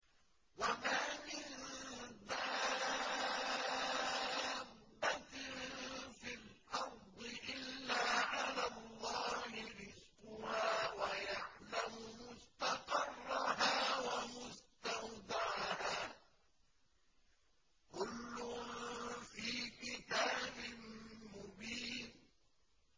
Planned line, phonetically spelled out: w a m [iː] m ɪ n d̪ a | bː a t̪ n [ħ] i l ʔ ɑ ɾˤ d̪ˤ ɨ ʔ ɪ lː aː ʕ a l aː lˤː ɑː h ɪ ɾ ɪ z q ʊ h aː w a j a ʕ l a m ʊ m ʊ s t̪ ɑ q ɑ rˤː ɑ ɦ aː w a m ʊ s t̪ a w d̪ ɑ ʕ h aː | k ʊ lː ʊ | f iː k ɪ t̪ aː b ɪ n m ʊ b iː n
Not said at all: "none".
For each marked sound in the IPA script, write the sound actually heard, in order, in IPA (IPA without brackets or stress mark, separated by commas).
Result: aː, f